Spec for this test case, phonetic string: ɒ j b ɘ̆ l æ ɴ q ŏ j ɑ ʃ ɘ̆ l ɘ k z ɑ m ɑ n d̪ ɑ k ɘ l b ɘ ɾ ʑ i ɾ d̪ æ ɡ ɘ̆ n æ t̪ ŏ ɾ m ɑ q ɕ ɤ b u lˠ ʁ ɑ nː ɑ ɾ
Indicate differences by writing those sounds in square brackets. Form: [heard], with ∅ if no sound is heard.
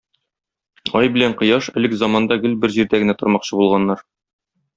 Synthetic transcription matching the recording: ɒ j b ɘ̆ l æ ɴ q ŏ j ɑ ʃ ɘ̆ l ɘ k z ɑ m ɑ n d̪ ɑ [ɡ] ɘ l b ɘ ɾ ʑ i ɾ d̪ æ ɡ ɘ̆ n æ t̪ ŏ ɾ m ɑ q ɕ ɤ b u lˠ ʁ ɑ nː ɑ ɾ